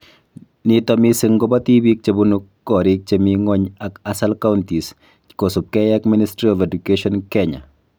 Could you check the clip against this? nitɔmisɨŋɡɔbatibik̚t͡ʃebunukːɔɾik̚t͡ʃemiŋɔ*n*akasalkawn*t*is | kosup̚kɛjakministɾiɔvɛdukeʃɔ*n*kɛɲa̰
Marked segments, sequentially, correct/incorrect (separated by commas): incorrect, correct, correct